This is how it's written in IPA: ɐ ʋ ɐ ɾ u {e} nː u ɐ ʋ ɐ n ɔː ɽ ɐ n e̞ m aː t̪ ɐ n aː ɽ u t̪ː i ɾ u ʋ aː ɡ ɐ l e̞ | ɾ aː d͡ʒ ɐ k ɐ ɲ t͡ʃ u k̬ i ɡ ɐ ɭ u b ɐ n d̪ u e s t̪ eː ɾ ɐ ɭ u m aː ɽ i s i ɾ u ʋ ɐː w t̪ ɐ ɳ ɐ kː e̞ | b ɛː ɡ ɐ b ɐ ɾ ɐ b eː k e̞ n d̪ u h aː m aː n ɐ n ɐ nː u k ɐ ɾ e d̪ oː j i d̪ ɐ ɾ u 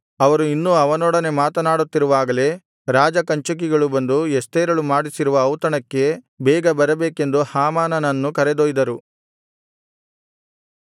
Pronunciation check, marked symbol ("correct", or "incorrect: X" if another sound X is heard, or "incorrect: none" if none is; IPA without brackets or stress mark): incorrect: i